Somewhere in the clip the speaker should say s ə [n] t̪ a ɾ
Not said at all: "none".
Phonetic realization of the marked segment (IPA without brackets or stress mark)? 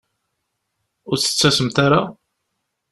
m